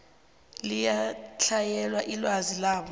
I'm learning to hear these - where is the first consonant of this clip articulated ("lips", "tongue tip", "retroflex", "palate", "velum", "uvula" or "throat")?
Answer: tongue tip